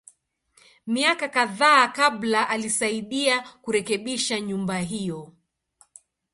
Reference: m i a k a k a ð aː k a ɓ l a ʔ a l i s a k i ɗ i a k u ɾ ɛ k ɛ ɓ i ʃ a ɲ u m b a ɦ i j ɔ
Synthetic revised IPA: m i a k a k a ð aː k a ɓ l a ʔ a l i s a i ɗ i a k u ɾ ɛ k ɛ ɓ i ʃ a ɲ u m b a ɦ i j ɔ